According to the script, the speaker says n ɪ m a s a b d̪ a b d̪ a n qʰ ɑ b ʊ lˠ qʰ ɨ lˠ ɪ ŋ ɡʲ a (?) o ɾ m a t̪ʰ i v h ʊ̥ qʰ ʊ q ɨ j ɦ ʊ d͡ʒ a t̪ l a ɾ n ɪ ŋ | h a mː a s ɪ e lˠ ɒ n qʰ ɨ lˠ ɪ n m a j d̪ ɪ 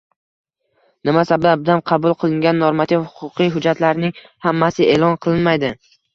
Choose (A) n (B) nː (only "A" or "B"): B